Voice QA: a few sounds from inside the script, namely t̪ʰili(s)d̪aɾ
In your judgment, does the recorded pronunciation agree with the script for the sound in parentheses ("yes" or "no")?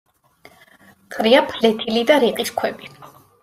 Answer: no